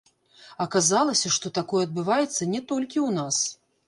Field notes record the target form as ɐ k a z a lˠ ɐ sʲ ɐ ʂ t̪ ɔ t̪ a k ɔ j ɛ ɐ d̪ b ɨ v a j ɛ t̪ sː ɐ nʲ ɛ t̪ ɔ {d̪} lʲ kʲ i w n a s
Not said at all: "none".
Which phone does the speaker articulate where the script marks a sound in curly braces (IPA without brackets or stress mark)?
none